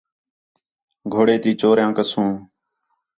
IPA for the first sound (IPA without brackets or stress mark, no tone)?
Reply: ɡʱ